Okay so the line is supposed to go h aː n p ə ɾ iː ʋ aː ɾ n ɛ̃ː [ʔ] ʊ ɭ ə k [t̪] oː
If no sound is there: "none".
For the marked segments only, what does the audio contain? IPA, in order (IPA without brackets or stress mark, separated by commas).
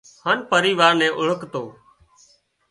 ʔ, t̪